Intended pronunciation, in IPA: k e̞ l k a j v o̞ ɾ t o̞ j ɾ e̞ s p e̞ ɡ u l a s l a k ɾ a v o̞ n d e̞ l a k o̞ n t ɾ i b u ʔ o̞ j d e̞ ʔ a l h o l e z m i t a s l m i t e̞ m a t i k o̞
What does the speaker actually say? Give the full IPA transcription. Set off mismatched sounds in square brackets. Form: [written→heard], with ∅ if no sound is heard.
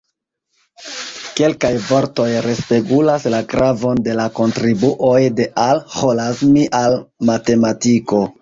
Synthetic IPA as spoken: k e̞ l k a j v o̞ ɾ t o̞ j ɾ e̞ s p e̞ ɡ u l a s l a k ɾ a v o̞ n d e̞ l a k o̞ n t ɾ i b u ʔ o̞ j d e̞ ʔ a l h o l [e→a] z m i [t→ʔ] a [s→∅] l m [i→a] t e̞ m a t i k o̞